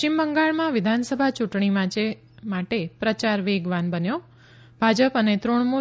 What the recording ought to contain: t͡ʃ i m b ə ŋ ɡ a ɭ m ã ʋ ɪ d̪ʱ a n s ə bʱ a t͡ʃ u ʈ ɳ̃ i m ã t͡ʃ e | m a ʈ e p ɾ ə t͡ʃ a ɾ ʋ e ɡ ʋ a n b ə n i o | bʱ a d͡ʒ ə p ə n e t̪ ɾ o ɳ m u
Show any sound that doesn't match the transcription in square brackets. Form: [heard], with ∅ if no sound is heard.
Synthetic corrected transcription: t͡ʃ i m b ə ŋ ɡ a ɭ m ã ʋ ɪ d̪ʱ a n s ə bʱ a t͡ʃ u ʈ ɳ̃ i m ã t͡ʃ e | m a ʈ e p ɾ ə t͡ʃ a ɾ ʋ e ɡ ʋ a n b ə n [j] o | bʱ a d͡ʒ ə p ə n e t̪ ɾ o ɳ m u